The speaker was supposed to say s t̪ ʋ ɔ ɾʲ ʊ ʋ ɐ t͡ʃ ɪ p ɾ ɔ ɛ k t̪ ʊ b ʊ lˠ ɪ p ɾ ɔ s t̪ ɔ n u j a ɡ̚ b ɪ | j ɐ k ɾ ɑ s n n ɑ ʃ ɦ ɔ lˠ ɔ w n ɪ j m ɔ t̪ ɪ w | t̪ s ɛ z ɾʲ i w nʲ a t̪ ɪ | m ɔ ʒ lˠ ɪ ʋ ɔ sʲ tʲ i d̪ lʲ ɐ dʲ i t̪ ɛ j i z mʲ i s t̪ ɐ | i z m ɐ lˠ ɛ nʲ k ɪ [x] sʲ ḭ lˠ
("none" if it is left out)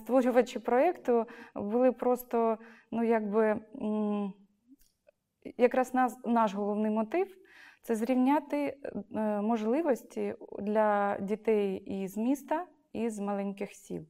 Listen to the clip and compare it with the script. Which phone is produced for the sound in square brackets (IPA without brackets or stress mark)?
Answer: x